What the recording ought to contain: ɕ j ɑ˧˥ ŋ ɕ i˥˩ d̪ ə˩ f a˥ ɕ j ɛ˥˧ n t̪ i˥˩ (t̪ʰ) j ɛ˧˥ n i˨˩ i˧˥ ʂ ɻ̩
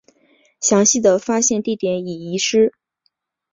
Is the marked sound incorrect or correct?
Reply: incorrect: t̪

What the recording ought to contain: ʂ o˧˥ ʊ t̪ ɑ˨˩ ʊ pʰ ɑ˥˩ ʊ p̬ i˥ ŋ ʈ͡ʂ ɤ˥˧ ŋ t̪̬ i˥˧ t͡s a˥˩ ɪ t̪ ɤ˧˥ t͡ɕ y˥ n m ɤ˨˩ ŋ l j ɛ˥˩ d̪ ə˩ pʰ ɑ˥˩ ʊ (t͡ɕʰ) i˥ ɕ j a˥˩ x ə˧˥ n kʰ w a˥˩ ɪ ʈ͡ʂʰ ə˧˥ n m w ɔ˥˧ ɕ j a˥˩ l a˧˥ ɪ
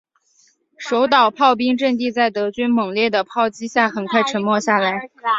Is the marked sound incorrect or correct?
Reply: incorrect: t͡ɕ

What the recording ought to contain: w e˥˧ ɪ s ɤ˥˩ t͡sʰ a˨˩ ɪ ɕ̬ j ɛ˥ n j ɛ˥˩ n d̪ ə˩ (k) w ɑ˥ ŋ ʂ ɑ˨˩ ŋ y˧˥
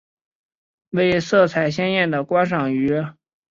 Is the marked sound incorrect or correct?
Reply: correct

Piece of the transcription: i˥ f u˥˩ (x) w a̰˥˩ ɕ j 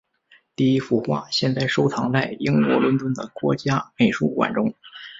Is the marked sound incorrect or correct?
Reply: correct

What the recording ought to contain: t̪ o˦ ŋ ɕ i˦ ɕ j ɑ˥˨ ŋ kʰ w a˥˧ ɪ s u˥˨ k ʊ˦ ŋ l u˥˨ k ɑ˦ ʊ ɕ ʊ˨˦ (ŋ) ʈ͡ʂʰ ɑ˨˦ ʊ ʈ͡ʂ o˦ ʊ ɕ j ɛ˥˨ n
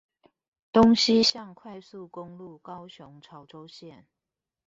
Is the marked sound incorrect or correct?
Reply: correct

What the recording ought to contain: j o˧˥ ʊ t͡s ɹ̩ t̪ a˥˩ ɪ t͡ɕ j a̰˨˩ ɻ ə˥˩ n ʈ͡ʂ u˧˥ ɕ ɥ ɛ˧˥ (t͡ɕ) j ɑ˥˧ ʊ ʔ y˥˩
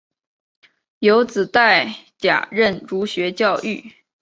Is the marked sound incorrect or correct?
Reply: correct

